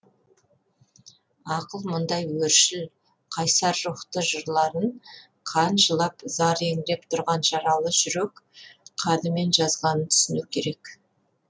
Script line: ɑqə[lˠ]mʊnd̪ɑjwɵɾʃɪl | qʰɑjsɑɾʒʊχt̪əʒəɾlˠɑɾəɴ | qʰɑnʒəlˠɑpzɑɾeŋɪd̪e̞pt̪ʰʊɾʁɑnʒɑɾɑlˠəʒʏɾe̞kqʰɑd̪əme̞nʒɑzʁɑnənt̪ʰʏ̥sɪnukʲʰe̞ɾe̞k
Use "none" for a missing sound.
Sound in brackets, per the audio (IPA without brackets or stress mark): lˠ